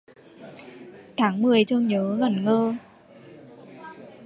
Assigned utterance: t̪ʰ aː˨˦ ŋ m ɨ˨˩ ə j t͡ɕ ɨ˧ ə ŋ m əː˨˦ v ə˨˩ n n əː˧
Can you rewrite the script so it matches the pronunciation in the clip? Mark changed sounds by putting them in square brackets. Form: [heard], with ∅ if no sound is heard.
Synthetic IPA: t̪ʰ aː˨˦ ŋ m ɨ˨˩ ə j t͡ɕ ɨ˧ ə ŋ [ɲ] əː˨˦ [ɣ] ə˨˩ n [ŋ] əː˧